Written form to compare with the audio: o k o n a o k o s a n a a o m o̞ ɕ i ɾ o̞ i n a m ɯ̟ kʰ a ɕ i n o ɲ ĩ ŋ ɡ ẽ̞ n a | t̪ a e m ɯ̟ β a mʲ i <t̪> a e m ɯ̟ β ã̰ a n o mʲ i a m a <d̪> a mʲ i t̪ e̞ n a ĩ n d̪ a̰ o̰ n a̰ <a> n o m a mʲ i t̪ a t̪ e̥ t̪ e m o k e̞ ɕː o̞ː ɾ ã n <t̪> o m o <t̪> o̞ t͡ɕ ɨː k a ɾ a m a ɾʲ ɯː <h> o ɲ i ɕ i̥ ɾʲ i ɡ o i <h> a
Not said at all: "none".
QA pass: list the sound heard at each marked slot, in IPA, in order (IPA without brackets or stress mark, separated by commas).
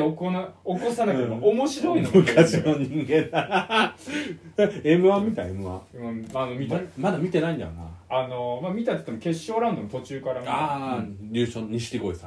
t̪, d̪, a, d̪, t̪, ɕ, s